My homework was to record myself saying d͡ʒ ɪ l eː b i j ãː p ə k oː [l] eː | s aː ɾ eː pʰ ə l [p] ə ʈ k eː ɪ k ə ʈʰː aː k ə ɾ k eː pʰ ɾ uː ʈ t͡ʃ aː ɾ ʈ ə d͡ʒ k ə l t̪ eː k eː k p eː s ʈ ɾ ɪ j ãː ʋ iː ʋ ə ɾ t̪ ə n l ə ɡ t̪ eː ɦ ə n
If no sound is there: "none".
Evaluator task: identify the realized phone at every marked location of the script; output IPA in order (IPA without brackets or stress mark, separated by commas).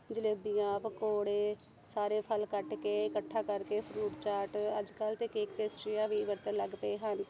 ɽ, k